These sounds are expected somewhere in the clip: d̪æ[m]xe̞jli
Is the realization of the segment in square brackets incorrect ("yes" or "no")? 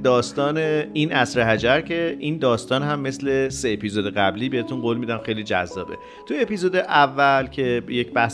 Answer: no